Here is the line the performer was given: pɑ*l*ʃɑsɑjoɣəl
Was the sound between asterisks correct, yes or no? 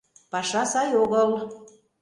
no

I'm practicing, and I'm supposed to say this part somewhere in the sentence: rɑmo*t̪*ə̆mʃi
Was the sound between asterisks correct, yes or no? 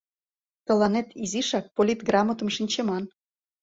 yes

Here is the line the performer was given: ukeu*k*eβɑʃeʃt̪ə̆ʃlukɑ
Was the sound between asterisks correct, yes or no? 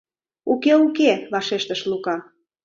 yes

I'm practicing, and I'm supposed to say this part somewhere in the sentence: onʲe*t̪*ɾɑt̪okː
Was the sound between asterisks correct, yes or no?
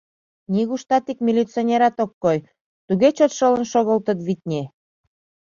no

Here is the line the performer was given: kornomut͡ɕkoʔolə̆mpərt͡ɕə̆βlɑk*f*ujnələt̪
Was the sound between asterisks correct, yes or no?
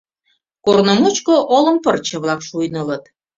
no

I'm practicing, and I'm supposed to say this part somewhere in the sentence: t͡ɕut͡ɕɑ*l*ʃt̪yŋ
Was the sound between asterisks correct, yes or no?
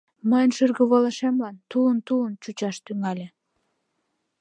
no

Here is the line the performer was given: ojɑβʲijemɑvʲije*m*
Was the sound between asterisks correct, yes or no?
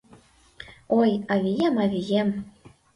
yes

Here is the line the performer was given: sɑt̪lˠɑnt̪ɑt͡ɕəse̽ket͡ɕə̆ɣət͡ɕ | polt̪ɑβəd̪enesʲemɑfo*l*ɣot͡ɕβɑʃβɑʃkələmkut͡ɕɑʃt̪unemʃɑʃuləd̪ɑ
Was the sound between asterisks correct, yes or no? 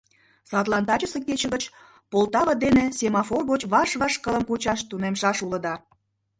no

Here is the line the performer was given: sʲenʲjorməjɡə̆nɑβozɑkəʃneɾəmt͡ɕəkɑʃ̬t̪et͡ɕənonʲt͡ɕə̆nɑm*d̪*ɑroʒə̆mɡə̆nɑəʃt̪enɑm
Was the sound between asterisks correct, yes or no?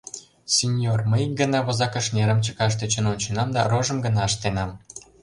yes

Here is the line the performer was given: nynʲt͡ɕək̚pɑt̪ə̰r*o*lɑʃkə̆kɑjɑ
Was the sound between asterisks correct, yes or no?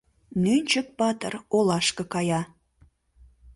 yes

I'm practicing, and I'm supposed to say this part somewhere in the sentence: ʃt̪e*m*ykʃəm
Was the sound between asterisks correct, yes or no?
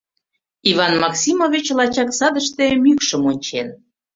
yes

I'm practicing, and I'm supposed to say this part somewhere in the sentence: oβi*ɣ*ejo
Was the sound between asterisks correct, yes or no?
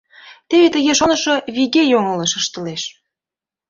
yes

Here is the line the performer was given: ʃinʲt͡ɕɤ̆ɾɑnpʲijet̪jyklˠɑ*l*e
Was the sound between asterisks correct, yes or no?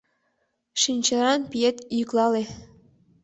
yes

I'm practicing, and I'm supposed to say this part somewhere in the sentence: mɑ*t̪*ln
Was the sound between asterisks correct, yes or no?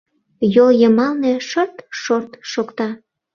no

